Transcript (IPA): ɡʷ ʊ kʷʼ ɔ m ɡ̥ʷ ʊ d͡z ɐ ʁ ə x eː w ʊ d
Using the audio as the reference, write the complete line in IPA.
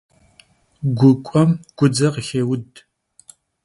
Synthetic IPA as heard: ɡʷ ʊ kʷʼ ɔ m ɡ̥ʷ ʊ d͡z ɐ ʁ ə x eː w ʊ d